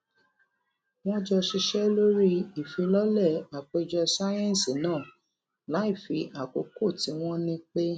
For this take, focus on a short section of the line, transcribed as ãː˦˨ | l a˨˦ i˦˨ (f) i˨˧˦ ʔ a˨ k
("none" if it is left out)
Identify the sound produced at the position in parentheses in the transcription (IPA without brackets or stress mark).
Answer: f